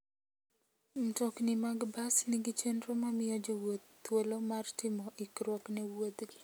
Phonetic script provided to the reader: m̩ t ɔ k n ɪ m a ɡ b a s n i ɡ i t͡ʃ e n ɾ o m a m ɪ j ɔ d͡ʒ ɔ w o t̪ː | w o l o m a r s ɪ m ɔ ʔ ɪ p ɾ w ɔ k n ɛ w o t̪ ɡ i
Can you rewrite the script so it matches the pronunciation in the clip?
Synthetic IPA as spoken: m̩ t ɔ k n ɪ m a ɡ b a s n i ɡ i t͡ʃ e n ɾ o m a m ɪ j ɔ d͡ʒ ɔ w o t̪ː | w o l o m a r t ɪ m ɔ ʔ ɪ k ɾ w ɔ k n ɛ w o t̪ ɡ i